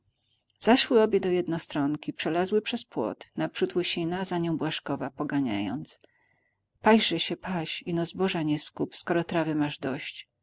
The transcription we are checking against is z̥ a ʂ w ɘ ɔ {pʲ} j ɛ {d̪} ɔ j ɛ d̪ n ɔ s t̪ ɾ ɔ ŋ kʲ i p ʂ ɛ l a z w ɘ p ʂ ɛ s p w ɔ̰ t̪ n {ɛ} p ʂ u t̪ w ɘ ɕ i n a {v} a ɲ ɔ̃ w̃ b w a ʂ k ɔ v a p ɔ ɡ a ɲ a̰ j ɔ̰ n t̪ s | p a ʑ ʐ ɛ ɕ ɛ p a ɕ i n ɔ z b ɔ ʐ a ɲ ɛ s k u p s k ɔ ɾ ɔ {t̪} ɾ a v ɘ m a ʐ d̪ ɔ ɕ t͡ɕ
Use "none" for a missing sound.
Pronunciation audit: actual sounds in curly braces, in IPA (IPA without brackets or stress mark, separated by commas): bʲ, d̪, a, z, t̪